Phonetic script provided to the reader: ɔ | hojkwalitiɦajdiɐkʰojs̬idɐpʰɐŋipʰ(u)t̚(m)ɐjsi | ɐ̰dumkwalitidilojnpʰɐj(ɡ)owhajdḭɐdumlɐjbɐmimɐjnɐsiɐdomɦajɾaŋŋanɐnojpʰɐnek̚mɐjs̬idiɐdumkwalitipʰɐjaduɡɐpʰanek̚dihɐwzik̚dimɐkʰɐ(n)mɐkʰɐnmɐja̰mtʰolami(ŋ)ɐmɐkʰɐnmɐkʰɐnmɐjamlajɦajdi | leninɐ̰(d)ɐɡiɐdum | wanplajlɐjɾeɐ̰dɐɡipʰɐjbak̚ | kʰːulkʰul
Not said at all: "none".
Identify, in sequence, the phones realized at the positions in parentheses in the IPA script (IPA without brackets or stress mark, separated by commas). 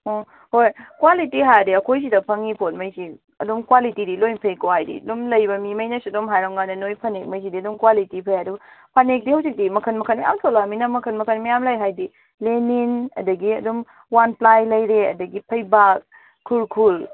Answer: o, m, k, n, n, d